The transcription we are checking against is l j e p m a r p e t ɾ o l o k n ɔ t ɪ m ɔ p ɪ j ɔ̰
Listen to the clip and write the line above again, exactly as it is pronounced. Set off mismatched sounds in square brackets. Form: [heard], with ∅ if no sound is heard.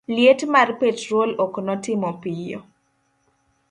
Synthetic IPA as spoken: l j e [t] m a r p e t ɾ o l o k n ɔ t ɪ m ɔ p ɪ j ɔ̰

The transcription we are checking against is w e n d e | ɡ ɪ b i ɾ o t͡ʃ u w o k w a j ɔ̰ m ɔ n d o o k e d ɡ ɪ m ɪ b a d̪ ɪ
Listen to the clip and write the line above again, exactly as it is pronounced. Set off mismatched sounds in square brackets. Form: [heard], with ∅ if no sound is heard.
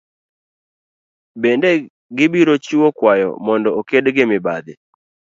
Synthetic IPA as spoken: [b] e n d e | ɡ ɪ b i ɾ o t͡ʃ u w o k w a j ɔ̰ m ɔ n d [ɔ] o k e d ɡ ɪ m ɪ b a d̪ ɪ

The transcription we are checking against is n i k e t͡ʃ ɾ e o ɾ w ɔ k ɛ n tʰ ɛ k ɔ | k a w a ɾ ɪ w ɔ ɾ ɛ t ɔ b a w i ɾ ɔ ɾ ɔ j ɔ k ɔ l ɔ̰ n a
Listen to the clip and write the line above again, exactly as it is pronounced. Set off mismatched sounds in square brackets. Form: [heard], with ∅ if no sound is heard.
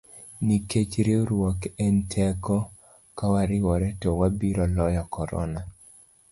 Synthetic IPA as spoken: n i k e t͡ʃ ɾ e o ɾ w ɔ k ɛ n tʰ ɛ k ɔ | k a w a ɾ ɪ w ɔ ɾ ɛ t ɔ [w] a [b] i ɾ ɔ [l] ɔ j ɔ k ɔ [ɾ] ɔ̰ n a

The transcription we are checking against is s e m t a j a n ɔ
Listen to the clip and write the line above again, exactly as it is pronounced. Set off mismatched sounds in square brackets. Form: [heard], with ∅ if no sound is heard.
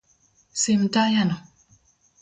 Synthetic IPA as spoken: s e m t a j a n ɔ

